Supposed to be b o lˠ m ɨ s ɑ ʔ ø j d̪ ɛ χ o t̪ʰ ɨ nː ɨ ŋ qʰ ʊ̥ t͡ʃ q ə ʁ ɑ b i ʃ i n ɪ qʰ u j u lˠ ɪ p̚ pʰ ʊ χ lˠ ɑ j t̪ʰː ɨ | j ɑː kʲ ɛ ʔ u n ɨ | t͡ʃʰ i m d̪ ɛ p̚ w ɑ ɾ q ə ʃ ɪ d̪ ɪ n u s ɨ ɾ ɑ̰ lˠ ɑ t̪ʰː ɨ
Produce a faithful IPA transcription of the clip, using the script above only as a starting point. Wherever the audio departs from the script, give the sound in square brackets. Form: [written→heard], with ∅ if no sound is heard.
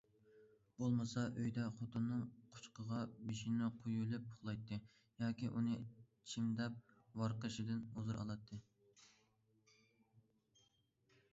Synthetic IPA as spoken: b o lˠ m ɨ s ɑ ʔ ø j d̪ ɛ χ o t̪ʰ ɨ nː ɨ ŋ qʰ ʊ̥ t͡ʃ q ə ʁ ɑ b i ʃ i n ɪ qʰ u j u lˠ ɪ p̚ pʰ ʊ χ lˠ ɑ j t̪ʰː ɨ | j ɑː kʲ [ɛ→i] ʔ u n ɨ | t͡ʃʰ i m d̪ ɛ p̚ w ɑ ɾ q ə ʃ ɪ d̪ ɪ n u [s→z] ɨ ɾ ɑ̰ lˠ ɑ t̪ʰː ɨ